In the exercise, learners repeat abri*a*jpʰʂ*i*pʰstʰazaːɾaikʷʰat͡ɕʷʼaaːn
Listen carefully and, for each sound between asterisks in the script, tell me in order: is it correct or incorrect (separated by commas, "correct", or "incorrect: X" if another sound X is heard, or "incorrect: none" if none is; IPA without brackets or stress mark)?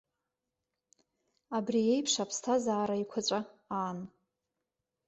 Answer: incorrect: e, incorrect: a